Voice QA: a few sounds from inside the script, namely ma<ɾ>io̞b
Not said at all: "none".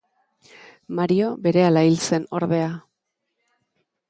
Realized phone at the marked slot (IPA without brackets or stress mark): ɾ